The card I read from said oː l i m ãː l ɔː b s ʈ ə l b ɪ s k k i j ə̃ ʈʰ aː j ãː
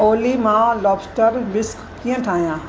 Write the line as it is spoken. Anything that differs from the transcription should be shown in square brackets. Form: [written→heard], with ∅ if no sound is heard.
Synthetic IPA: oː l i m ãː l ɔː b s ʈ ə [l→ɾ] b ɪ s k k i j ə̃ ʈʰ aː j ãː